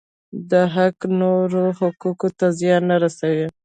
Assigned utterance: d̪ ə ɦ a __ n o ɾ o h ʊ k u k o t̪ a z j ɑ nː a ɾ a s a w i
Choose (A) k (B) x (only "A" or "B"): A